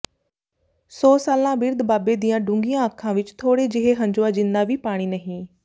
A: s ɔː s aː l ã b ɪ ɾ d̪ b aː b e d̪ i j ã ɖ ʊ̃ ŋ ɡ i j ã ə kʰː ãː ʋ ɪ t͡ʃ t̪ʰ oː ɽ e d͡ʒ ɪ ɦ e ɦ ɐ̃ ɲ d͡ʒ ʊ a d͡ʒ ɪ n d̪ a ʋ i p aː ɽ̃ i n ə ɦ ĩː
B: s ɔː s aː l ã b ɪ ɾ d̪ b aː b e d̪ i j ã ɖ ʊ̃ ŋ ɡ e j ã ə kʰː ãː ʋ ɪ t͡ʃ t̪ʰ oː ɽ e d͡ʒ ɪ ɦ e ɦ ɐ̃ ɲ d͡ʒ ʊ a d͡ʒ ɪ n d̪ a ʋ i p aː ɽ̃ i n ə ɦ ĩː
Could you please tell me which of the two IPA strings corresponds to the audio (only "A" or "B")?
A